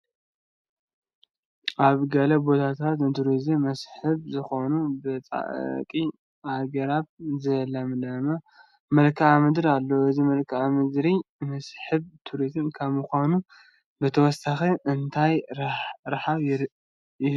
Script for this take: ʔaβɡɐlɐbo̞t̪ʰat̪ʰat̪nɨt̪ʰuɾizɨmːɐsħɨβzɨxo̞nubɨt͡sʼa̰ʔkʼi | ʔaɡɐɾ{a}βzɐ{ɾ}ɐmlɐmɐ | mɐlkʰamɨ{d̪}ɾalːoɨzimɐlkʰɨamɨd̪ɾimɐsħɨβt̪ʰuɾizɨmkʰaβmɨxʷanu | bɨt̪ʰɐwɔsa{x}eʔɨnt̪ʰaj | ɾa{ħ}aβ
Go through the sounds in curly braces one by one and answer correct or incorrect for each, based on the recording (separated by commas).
correct, incorrect, correct, correct, correct